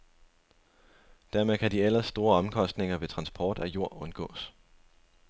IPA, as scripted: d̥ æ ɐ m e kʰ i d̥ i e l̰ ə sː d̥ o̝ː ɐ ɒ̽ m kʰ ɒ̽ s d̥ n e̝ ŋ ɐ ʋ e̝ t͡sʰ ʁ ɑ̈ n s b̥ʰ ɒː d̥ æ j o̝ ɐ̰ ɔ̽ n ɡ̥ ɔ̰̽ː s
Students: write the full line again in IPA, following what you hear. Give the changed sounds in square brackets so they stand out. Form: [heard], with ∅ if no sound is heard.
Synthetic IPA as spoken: d̥ æ ɐ m e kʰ [æ] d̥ i e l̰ [ɐ] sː d̥ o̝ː ɐ ɒ̽ m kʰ ɒ̽ s d̥ n e̝ ŋ ɐ ʋ e̝ t͡sʰ ʁ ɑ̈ n s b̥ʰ ɒː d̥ æ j o̝ ɐ̰ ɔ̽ n ɡ̥ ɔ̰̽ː s